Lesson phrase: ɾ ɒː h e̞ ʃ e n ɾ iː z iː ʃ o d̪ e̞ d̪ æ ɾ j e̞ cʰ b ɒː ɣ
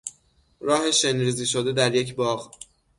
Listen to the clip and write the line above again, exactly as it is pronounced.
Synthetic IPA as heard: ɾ ɒː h e̞ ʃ e n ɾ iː z iː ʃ o d̪ e̞ d̪ æ ɾ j e̞ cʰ b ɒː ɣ